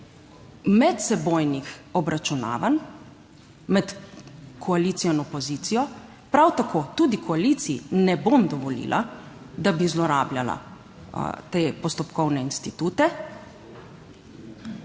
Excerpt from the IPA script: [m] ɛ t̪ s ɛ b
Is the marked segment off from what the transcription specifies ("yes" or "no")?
no